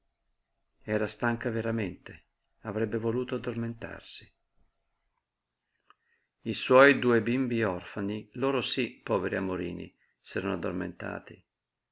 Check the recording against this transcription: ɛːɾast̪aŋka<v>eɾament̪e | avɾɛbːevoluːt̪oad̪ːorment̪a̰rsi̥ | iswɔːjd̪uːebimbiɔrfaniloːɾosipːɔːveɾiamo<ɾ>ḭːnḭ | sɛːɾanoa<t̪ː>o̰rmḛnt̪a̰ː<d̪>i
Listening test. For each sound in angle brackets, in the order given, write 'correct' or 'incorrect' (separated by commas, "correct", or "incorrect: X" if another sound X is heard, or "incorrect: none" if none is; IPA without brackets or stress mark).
correct, correct, incorrect: d̪ː, incorrect: t̪